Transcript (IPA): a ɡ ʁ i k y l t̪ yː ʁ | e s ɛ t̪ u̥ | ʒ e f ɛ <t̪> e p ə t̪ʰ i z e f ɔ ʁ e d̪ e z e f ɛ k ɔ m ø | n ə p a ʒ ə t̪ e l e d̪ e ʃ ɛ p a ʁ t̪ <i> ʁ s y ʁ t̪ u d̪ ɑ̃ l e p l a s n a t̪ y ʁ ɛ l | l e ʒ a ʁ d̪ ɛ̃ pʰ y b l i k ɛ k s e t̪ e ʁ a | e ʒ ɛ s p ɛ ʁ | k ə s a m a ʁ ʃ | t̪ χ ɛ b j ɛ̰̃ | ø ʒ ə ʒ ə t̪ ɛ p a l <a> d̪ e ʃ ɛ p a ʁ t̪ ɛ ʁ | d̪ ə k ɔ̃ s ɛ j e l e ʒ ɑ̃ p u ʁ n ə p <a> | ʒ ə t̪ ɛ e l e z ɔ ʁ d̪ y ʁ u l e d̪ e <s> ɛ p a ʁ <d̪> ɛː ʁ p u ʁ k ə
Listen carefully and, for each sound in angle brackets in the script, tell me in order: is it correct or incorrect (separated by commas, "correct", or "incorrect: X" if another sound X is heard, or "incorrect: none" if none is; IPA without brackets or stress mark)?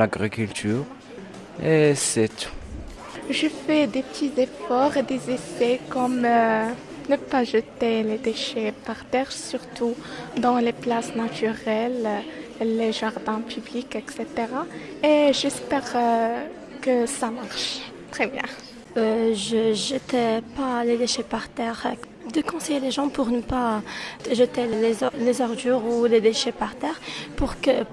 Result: incorrect: d̪, incorrect: ɛ, incorrect: e, correct, incorrect: ʃ, incorrect: t̪